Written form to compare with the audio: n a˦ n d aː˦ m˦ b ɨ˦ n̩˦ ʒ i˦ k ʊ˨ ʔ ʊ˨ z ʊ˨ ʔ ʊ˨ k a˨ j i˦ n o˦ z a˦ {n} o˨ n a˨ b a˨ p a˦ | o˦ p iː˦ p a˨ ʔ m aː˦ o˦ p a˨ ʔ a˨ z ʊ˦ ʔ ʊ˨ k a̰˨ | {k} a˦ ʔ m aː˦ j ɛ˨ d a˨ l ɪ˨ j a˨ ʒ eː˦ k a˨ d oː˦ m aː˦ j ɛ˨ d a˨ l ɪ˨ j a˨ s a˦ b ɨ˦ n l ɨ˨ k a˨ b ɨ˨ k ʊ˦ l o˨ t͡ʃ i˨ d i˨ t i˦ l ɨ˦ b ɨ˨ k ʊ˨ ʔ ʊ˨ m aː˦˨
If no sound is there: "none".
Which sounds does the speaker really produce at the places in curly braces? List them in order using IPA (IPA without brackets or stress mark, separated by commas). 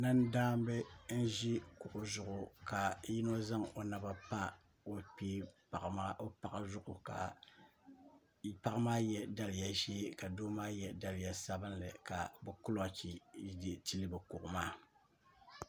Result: ŋ, p